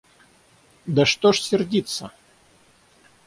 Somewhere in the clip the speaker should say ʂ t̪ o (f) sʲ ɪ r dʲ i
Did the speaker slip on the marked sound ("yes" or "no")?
yes